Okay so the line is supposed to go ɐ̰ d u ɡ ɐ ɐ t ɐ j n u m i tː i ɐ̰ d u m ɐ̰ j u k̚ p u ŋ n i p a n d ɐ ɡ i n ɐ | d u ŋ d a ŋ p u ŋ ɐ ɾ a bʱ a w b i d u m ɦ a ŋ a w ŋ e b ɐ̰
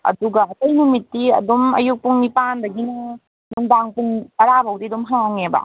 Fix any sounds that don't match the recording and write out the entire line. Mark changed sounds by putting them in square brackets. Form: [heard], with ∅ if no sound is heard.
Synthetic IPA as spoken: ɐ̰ d u ɡ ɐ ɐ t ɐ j n u m i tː i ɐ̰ d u m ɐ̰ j u k̚ p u ŋ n i p a n d ɐ ɡ i n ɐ | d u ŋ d a ŋ p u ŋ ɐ ɾ a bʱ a w [d] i d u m ɦ a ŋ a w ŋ e b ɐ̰